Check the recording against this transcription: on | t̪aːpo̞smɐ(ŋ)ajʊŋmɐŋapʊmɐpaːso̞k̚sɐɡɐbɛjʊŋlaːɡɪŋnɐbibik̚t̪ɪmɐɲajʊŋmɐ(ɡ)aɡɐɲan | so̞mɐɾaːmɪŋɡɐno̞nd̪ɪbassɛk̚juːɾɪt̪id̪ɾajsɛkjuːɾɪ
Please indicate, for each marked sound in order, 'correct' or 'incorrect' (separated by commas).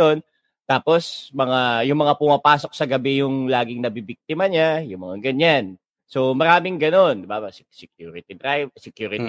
correct, incorrect